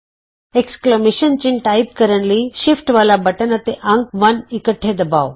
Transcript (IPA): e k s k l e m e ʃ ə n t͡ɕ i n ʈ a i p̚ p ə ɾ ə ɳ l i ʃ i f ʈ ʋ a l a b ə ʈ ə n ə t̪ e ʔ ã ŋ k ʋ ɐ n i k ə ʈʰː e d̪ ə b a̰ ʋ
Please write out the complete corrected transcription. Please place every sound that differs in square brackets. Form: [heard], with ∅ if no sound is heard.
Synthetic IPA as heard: e k s k l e m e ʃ ə n t͡ɕ i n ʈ a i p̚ [k] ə ɾ ə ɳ l i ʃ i f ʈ ʋ a l a b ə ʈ ə n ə t̪ e ʔ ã ŋ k ʋ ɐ n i k ə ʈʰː e d̪ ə b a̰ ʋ